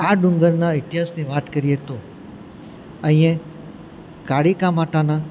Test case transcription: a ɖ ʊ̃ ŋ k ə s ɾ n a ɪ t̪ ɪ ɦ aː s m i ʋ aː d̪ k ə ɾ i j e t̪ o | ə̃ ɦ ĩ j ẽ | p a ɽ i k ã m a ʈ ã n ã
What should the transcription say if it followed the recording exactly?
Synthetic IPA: a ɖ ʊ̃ ŋ ɡ ə ɾ n a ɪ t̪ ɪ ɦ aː s n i ʋ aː t̪ k ə ɾ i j e t̪ o | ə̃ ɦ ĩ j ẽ | k a ɽ i k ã m a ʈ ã n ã